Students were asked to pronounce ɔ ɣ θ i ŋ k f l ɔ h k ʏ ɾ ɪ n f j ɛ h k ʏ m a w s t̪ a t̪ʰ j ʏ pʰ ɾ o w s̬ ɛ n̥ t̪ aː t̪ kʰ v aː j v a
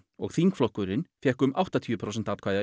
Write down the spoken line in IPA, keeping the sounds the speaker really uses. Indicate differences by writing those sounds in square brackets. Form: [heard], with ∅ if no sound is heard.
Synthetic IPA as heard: ɔ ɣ θ i ŋ k f l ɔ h k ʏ ɾ ɪ n f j ɛ h k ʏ m a w [h] t̪ a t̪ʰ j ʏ pʰ ɾ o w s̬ ɛ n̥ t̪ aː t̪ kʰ v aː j [ð] a